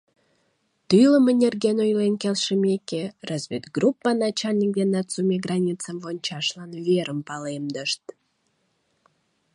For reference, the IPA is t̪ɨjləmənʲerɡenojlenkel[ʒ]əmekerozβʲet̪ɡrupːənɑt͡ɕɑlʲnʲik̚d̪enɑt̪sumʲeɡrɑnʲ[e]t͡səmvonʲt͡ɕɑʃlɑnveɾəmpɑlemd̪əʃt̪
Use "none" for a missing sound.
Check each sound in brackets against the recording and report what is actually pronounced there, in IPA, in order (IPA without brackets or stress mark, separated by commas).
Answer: ʃ, i